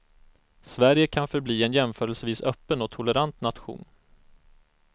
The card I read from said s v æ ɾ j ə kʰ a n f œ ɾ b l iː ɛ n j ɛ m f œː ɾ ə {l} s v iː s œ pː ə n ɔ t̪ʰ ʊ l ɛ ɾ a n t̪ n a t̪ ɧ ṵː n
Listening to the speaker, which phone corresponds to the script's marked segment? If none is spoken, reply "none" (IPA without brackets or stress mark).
l